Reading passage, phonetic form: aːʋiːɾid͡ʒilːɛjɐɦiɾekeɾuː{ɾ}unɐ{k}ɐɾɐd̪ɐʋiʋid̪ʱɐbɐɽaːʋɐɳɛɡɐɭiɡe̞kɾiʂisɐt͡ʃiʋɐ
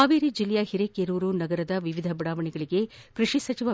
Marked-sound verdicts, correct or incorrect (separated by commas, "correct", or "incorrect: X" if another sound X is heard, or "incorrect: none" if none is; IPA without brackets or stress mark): correct, incorrect: ɡ